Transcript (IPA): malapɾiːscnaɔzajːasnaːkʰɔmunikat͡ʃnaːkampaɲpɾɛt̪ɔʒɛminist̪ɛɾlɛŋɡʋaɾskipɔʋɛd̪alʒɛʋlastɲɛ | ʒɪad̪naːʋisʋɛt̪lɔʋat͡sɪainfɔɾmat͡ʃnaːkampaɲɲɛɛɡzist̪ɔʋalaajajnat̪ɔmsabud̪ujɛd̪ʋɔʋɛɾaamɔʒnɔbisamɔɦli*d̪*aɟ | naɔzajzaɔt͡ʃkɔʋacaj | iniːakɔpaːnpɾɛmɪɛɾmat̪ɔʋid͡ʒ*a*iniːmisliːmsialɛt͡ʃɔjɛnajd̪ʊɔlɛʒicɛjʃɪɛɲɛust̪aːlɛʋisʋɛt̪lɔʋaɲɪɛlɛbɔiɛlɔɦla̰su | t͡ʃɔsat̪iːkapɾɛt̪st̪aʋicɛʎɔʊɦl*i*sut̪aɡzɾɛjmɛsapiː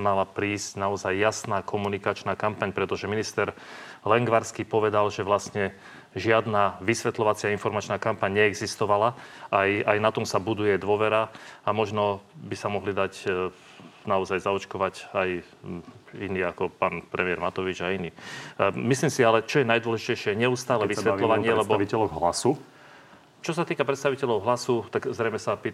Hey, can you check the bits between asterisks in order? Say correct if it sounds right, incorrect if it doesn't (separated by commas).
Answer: correct, correct, incorrect